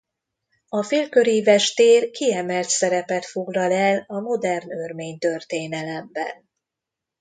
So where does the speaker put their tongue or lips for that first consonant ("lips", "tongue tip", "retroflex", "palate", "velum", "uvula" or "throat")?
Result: lips